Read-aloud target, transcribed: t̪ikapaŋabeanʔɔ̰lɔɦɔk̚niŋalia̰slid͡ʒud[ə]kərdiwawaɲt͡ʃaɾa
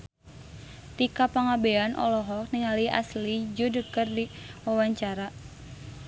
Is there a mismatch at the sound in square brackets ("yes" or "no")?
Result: no